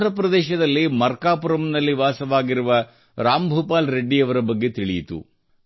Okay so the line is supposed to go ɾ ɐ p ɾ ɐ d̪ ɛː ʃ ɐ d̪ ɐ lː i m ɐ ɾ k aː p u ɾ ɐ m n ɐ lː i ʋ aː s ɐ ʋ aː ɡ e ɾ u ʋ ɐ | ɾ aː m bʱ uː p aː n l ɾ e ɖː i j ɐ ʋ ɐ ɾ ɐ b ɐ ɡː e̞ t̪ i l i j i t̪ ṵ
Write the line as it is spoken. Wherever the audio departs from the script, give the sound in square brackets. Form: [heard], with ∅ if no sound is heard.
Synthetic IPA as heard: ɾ ɐ p ɾ ɐ d̪ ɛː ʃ ɐ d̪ ɐ lː i m ɐ ɾ k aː p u ɾ ɐ m n ɐ lː i ʋ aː s ɐ ʋ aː ɡ [i] ɾ u ʋ ɐ | ɾ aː m bʱ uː p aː [∅] l ɾ e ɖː i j ɐ ʋ ɐ ɾ ɐ b ɐ ɡː e̞ t̪ i [ɭ] i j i t̪ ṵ